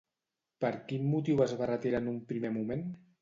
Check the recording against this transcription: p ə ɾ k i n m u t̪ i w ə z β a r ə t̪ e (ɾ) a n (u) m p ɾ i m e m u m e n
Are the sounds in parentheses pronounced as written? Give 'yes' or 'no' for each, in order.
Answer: yes, yes

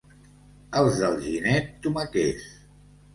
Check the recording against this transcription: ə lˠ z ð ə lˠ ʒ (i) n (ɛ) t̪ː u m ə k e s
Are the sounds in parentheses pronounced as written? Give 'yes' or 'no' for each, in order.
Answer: yes, yes

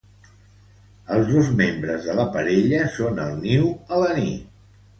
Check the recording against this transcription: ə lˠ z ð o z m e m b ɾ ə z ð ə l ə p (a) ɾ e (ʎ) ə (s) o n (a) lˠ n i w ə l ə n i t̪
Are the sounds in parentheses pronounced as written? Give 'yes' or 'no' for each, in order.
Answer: no, yes, yes, no

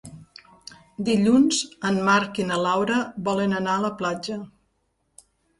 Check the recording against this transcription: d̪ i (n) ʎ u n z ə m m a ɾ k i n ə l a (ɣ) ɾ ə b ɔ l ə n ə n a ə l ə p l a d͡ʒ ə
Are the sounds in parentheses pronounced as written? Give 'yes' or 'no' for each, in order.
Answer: no, no

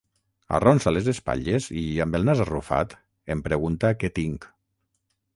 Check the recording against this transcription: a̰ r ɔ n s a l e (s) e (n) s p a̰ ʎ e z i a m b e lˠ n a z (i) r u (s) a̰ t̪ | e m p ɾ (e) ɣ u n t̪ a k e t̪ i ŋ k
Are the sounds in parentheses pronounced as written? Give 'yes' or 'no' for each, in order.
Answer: no, no, no, no, yes

